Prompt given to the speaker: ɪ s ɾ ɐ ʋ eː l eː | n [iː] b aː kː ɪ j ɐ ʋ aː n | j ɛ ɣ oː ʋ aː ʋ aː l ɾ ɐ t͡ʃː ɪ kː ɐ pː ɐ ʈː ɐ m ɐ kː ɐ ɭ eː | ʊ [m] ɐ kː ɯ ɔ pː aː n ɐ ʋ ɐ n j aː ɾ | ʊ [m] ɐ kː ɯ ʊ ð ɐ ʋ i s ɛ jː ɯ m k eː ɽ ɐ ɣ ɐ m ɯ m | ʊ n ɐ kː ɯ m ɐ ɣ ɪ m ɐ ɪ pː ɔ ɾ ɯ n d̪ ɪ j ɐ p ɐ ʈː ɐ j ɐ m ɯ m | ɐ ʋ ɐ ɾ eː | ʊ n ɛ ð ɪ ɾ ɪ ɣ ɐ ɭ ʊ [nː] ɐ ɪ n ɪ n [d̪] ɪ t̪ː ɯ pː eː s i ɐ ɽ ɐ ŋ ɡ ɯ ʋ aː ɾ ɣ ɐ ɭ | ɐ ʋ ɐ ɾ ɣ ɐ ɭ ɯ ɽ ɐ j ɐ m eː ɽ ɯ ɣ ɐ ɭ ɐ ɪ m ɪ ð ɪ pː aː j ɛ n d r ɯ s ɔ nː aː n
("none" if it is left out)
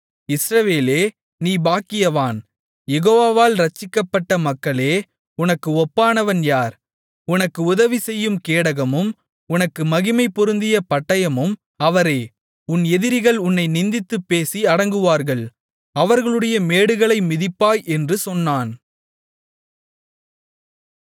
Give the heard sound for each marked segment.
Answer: iː, n, n, nː, d̪

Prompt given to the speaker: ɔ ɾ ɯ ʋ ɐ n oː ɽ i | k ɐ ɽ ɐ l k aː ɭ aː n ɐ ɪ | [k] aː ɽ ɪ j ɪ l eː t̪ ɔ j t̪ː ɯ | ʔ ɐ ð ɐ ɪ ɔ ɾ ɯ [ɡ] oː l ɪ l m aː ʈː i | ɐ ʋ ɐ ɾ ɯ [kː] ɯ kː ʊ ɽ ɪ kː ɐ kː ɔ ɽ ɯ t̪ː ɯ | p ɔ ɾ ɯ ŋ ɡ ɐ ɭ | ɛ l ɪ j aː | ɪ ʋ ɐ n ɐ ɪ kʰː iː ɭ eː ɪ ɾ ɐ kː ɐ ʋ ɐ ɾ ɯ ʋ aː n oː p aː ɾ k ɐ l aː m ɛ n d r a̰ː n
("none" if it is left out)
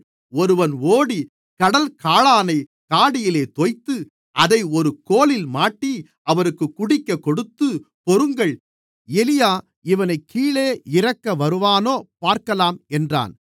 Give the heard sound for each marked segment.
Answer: k, k, kː

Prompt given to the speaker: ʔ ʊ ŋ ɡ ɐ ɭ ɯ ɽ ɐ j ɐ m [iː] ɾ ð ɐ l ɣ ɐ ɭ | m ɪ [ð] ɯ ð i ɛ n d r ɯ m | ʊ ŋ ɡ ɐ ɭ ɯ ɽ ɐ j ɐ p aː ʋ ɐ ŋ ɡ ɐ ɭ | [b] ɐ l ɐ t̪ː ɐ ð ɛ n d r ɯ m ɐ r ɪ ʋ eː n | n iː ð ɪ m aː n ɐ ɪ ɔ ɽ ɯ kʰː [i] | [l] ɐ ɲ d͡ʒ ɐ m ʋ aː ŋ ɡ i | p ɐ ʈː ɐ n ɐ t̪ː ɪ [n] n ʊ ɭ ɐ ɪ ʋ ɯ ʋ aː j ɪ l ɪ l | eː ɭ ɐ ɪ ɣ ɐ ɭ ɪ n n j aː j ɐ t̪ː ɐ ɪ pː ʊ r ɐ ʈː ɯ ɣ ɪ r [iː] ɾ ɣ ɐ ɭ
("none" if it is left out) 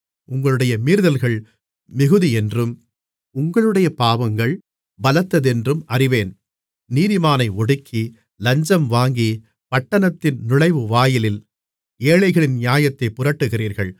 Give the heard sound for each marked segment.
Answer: iː, ɣ, b, i, l, n, iː

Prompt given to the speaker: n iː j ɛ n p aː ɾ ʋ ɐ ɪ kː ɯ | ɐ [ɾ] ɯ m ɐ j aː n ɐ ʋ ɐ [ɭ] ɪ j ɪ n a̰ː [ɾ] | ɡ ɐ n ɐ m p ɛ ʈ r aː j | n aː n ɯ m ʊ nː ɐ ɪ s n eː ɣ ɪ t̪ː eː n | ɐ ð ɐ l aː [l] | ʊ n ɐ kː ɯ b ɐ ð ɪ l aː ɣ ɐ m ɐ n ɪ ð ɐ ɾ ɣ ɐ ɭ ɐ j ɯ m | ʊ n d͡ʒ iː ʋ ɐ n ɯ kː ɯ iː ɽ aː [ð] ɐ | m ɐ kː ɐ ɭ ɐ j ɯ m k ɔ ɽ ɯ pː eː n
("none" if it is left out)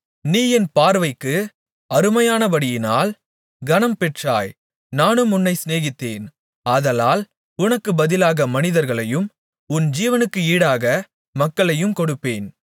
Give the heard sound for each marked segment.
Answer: ɾ, ɽ, l, l, ɣ

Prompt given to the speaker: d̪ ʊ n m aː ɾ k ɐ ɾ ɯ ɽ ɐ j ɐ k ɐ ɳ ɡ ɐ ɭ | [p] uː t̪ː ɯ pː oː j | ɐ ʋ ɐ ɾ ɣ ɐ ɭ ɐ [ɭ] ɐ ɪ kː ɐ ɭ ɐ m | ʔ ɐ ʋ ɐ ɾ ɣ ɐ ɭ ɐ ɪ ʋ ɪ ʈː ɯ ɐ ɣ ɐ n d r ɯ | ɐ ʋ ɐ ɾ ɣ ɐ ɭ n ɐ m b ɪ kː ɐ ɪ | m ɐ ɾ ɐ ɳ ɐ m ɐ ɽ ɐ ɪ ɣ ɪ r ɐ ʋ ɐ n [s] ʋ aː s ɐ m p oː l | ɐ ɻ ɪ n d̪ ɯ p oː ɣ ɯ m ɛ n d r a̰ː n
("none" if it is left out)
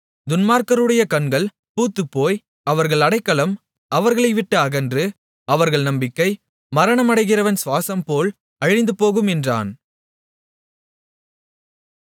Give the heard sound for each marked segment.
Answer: p, ɽ, s

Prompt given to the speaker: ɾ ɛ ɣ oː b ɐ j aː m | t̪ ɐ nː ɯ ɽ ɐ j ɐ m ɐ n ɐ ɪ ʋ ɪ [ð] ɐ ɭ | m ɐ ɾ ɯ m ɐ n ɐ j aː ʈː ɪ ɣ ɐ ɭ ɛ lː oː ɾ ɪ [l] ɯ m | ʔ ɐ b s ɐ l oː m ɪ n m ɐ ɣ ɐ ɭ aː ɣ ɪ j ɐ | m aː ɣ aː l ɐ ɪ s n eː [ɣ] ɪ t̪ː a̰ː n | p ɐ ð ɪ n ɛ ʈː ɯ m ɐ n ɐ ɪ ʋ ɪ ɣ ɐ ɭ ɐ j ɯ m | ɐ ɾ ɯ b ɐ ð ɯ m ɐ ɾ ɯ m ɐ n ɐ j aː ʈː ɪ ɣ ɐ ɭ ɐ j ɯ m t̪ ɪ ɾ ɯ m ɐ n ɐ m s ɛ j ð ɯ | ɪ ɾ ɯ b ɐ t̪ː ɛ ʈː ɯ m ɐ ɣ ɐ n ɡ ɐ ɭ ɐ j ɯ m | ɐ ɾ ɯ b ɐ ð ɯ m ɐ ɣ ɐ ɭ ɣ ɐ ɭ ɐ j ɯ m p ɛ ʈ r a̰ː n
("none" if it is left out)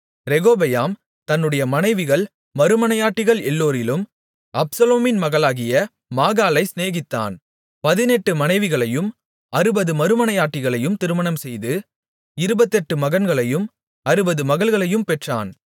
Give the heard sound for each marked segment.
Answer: ɣ, l, ɣ

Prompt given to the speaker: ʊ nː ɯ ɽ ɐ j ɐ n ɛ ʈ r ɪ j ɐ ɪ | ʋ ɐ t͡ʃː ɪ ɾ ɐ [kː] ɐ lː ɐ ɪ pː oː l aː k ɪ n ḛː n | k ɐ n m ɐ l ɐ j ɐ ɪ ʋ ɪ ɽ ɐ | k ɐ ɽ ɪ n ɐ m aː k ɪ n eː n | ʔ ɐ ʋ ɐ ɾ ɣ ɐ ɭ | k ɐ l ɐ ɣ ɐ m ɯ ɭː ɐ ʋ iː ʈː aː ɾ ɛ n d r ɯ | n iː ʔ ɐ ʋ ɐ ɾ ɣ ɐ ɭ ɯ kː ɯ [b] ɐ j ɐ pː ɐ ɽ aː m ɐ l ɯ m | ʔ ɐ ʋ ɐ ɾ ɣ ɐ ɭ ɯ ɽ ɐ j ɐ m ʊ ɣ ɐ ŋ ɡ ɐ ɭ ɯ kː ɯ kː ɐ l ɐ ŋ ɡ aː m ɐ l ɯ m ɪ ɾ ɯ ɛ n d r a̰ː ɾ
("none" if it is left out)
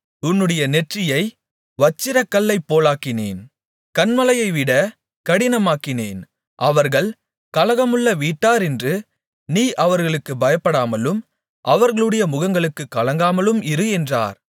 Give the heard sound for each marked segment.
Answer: kː, b

